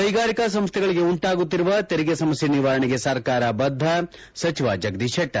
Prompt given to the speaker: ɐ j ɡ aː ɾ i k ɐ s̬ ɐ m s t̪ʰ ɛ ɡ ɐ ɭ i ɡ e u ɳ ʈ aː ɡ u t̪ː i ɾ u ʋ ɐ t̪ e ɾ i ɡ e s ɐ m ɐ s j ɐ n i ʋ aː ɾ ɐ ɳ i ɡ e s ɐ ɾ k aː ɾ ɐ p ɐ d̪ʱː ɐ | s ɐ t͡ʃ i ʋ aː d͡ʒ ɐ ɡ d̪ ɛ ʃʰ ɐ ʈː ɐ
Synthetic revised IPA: ɐ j ɡ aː ɾ i k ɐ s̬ ɐ m s t̪ʰ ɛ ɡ ɐ ɭ i ɡ e u ɳ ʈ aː ɡ u t̪ː i ɾ u ʋ ɐ t̪ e ɾ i ɡ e s ɐ m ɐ s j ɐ n i ʋ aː ɾ ɐ ɳ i ɡ e s ɐ ɾ k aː ɾ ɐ b ɐ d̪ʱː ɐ | s ɐ t͡ʃ i ʋ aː d͡ʒ ɐ ɡ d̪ i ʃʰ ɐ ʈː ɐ